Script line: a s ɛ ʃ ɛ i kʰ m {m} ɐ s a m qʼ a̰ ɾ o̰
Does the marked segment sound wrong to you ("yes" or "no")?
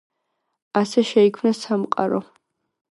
yes